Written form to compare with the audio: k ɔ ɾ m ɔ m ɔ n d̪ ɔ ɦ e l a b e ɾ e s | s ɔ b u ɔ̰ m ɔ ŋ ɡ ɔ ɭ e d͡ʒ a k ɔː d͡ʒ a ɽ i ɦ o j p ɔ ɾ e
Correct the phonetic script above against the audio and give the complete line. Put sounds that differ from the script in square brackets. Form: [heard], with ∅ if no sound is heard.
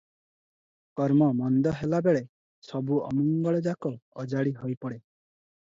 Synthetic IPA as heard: k ɔ ɾ m ɔ m ɔ n d̪ ɔ ɦ e l a b e [ɭ] e [∅] | s ɔ b u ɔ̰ m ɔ ŋ ɡ ɔ ɭ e d͡ʒ a k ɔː d͡ʒ a ɽ i ɦ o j p ɔ [ɽ] e